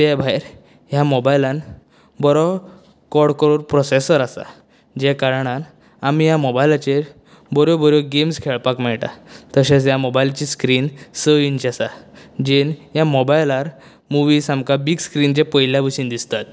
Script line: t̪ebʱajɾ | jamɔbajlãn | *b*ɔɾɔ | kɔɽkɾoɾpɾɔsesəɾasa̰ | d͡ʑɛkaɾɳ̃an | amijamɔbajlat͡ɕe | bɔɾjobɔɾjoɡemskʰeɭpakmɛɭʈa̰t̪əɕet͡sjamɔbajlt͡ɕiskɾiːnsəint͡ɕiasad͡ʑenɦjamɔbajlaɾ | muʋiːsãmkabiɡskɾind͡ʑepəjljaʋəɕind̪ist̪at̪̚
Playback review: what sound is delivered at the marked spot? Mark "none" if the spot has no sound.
b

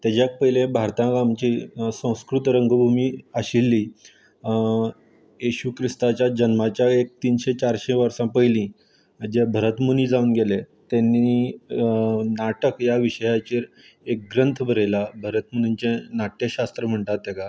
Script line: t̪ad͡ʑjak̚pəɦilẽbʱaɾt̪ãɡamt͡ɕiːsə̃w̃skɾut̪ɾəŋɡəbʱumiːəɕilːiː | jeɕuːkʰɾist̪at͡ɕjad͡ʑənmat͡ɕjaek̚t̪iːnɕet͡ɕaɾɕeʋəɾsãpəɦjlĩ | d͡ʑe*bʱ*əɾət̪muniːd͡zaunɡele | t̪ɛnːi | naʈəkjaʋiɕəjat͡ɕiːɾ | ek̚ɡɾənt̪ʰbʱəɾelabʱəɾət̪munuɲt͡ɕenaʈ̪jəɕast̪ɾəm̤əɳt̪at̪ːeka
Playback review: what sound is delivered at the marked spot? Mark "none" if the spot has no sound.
bʱ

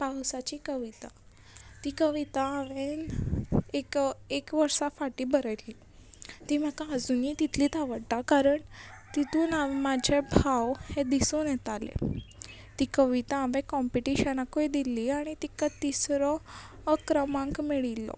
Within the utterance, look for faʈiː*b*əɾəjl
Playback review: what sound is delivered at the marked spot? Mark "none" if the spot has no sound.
b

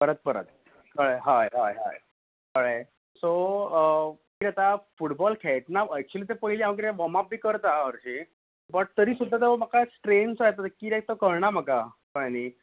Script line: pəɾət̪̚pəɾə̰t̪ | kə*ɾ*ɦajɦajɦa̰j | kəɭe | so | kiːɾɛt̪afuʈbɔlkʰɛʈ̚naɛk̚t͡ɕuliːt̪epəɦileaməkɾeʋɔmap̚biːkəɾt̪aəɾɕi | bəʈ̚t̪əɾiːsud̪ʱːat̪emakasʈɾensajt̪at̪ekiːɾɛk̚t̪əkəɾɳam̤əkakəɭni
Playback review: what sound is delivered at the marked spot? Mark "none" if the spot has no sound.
ɭ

